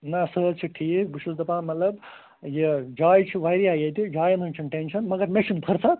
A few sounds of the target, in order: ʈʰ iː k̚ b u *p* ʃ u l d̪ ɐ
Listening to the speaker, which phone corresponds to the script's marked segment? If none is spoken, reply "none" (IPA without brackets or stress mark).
none